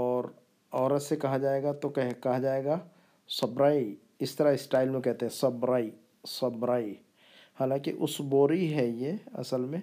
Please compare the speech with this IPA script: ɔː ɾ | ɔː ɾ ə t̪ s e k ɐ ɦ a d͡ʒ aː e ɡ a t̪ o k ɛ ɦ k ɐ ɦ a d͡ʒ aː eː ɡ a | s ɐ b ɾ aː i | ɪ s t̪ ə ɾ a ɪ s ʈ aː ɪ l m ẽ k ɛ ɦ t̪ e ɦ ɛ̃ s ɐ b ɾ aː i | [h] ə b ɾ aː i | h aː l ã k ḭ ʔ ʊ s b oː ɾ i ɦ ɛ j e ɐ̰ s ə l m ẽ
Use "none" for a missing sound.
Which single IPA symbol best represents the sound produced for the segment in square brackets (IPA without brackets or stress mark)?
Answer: s